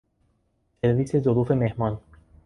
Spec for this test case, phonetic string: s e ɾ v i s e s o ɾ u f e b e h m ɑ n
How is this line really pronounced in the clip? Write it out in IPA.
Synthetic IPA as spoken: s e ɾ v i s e z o ɾ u f e m e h m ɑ n